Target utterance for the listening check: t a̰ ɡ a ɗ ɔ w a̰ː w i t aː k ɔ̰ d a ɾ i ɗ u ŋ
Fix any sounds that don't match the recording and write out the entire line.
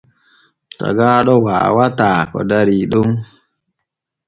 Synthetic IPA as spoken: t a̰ ɡ a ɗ ɔ w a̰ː w a t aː k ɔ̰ d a ɾ i ɗ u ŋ